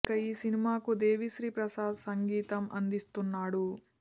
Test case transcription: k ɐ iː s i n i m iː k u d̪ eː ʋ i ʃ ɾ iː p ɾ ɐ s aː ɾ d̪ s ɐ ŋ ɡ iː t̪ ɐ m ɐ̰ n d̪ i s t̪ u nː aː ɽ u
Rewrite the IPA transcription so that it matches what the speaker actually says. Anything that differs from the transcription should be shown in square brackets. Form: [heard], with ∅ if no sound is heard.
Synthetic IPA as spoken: k ɐ iː s i n i m [aː] k u d̪ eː ʋ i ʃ ɾ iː p ɾ ɐ s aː [∅] d̪ s ɐ ŋ ɡ iː t̪ ɐ m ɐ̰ n d̪ i s t̪ u nː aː ɽ u